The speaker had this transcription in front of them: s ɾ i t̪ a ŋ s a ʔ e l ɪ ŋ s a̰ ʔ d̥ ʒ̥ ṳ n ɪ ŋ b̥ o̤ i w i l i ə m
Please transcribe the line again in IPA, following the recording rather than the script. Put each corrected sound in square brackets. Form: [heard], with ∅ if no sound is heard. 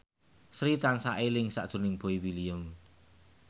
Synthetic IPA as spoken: s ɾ i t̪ a [n] s a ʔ e l ɪ ŋ s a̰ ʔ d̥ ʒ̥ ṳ n ɪ ŋ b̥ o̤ i w i l i ə m